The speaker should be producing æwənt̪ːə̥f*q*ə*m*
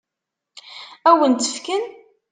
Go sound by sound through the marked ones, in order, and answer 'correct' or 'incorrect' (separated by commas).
incorrect, incorrect